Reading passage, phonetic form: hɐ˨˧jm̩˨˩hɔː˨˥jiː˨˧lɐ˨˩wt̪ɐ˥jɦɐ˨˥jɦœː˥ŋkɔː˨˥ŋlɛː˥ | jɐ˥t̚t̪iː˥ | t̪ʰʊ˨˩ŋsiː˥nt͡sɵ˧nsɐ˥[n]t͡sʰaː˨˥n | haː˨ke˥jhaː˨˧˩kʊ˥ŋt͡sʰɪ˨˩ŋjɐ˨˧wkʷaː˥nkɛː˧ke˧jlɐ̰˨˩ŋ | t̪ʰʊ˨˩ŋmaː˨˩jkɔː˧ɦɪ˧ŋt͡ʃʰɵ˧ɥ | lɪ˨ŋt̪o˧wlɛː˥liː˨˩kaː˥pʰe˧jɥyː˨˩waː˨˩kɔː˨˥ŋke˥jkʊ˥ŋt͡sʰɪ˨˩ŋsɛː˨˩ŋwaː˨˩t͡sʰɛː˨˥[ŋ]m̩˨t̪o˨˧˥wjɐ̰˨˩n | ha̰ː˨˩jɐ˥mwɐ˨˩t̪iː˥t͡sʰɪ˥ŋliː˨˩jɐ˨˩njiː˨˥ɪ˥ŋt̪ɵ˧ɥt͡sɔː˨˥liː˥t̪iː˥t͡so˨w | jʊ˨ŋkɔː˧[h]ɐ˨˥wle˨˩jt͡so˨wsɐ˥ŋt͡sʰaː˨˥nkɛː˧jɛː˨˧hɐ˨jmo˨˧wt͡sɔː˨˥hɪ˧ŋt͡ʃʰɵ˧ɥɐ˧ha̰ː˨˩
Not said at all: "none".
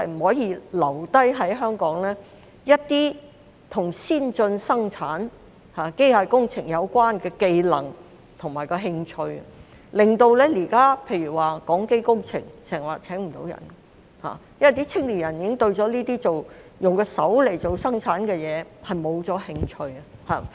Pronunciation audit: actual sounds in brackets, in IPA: ŋ, ŋ, s

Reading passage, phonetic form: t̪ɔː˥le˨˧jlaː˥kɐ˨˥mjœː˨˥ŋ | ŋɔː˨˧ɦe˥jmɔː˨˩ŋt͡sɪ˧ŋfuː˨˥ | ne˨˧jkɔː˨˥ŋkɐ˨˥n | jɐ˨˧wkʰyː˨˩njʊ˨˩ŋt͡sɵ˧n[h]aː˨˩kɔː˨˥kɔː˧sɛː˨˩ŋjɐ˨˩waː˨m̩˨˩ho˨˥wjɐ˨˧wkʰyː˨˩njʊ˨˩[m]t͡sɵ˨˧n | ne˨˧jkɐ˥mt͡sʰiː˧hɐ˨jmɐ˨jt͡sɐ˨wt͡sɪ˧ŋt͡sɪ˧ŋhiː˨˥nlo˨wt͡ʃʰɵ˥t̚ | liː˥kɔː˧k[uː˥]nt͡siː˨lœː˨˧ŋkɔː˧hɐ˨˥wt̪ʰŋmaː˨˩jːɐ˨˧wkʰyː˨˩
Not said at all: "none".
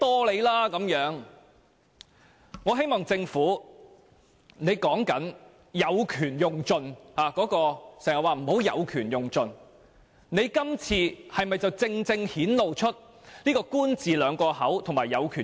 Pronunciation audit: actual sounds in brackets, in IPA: h, ŋ, uː˥

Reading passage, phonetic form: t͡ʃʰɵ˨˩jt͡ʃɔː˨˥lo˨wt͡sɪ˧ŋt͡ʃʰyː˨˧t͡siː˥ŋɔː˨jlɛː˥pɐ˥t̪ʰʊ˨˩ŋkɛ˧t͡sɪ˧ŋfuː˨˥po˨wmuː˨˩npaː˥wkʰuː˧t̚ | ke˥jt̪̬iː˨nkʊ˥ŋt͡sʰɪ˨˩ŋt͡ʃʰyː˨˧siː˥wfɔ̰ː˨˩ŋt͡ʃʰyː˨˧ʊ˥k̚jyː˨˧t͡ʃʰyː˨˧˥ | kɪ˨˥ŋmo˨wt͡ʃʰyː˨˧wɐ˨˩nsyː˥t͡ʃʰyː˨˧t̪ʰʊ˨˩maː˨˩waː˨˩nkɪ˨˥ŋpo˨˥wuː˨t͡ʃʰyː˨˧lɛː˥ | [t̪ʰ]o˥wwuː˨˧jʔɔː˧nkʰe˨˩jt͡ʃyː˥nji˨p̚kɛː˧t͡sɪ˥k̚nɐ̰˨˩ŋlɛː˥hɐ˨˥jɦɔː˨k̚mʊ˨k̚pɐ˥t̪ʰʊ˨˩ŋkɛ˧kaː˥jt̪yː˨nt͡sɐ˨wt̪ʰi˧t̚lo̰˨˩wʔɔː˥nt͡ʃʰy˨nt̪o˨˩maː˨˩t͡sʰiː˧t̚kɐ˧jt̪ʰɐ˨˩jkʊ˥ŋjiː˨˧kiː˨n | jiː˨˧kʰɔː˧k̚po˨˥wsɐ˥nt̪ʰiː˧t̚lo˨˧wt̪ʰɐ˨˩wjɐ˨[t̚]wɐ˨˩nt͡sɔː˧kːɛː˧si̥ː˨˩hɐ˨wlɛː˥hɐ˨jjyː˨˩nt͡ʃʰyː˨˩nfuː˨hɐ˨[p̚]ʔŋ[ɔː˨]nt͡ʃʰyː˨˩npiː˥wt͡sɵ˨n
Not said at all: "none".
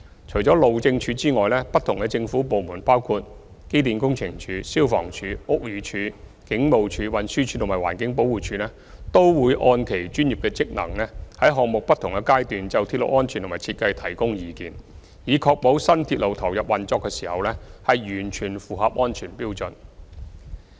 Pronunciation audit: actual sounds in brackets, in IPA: t̪, p̚, p̚, ɔː˥

